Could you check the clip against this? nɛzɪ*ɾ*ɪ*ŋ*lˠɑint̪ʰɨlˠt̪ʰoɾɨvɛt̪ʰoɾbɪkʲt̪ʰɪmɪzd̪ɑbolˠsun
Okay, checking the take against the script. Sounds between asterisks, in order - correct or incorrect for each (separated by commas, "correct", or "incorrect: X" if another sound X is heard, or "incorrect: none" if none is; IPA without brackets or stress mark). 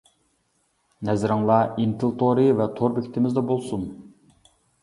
correct, correct